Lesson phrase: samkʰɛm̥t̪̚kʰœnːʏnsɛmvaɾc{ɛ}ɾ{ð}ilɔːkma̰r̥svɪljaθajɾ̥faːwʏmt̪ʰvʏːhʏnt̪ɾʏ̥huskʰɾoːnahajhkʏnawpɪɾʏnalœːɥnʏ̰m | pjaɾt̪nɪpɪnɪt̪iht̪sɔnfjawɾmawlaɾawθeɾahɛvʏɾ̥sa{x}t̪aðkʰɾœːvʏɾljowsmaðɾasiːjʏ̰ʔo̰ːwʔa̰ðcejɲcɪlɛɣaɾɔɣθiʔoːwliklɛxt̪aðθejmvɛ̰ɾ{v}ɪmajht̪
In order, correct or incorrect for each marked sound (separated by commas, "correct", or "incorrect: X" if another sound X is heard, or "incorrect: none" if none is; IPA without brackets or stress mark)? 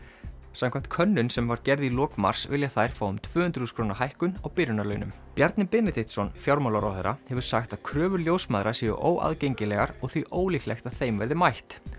correct, correct, correct, incorrect: ð